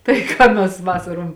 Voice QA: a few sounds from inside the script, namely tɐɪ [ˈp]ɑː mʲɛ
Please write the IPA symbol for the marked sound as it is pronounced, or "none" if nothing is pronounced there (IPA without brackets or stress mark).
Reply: k